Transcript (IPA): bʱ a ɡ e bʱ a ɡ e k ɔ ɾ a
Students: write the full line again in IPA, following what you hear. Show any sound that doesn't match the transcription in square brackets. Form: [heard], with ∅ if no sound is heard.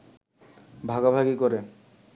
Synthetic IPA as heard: bʱ a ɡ [a] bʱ a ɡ [i] k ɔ ɾ [e]